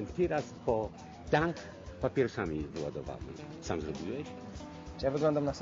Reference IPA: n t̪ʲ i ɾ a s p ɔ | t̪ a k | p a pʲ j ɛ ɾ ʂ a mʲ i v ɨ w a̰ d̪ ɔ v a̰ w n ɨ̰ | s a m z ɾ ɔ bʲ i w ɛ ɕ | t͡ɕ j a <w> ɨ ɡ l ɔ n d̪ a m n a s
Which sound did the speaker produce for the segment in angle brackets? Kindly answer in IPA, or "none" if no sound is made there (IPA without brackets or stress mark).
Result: v